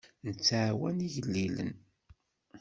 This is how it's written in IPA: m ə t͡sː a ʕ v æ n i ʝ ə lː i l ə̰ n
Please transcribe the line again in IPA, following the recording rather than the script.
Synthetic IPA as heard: n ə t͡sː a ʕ w æ n i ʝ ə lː i l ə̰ n